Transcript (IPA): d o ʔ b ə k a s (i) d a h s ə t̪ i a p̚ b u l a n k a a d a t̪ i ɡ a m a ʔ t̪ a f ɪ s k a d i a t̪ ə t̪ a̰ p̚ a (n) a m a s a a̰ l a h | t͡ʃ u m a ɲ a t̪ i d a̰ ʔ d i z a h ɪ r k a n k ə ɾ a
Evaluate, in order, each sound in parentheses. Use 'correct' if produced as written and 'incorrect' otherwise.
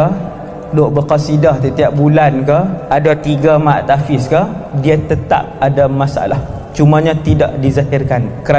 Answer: correct, incorrect

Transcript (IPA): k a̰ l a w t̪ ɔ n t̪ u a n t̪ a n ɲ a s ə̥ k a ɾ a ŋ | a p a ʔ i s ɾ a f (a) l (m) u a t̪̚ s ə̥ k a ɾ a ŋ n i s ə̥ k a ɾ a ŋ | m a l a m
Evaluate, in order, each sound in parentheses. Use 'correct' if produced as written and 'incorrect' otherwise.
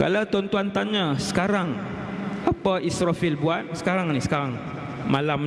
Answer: incorrect, incorrect

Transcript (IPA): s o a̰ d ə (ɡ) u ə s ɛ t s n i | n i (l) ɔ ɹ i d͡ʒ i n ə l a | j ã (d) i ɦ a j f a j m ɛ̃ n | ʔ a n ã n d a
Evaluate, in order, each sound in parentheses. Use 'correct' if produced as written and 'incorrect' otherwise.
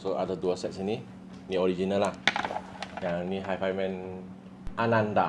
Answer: incorrect, incorrect, incorrect

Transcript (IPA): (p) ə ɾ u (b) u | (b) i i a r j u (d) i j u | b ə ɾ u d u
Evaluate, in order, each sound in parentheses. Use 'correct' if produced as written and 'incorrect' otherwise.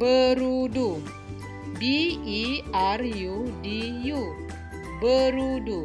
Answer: incorrect, incorrect, correct, correct

